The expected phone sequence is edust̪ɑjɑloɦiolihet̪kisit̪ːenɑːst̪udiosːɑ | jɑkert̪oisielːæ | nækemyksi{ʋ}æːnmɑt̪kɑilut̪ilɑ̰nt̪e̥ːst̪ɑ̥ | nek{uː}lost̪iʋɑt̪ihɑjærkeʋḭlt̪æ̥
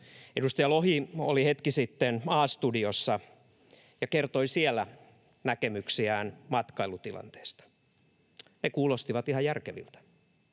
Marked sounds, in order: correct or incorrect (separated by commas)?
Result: incorrect, correct